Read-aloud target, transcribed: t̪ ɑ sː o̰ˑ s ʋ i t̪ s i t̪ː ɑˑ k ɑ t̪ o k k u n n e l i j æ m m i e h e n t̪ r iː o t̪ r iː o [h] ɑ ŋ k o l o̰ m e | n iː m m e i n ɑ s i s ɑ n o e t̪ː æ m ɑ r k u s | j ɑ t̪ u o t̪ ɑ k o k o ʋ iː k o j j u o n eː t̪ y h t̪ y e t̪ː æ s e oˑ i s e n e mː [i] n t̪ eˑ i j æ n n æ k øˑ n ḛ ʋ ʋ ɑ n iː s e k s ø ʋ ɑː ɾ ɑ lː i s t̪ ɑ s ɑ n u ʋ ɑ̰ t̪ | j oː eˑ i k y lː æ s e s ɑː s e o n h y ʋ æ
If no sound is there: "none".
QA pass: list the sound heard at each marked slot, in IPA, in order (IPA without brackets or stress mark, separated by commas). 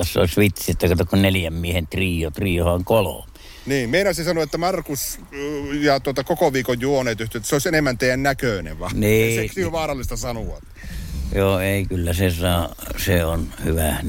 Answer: h, æ